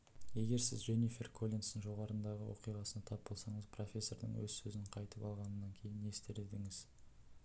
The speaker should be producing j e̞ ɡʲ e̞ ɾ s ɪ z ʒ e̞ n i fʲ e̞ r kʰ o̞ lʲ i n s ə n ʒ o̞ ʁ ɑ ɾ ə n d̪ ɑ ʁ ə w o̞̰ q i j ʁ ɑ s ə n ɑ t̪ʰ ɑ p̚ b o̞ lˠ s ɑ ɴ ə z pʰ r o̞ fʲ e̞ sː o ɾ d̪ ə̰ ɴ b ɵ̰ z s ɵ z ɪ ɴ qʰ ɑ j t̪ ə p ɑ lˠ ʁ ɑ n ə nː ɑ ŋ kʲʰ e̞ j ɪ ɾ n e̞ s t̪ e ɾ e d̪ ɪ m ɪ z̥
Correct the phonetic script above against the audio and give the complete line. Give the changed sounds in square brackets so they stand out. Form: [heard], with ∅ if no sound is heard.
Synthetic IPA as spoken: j e̞ ɡʲ e̞ ɾ s ɪ z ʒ e̞ n i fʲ e̞ r kʰ o̞ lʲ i n s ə n ʒ o̞ ʁ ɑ ɾ ə n d̪ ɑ ʁ ə w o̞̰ q i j ʁ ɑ s ə n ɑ t̪ʰ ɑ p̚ b o̞ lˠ s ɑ ɴ ə z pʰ r o̞ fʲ e̞ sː o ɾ d̪ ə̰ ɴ [w] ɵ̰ z s ɵ z ɪ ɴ qʰ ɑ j t̪ ə p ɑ lˠ ʁ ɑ n ə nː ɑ ŋ kʲʰ e̞ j ɪ [∅] n e̞ s t̪ e ɾ e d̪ ɪ [ŋ] ɪ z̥